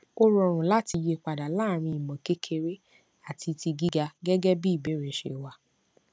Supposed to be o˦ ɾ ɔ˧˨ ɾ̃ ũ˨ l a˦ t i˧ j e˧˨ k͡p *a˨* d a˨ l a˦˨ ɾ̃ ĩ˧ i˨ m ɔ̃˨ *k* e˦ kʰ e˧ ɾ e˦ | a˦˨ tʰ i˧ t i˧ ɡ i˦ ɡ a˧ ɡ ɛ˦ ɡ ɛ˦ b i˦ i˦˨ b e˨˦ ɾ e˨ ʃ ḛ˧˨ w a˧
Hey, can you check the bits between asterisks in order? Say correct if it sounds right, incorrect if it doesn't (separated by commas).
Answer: correct, correct